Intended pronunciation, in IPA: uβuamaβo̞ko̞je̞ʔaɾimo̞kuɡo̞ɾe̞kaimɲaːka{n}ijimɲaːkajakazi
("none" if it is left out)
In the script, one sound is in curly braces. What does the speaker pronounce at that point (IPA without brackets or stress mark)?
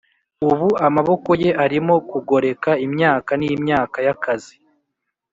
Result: n